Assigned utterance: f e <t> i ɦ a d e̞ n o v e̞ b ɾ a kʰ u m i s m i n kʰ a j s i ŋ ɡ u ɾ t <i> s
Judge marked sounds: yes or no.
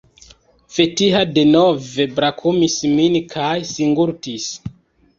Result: yes, yes

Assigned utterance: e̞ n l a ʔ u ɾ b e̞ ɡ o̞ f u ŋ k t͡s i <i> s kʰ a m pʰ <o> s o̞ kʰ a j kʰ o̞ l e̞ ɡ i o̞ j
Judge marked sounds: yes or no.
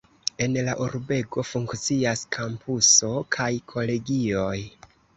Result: no, no

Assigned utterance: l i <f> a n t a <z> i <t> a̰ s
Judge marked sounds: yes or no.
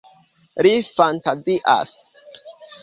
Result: yes, yes, no

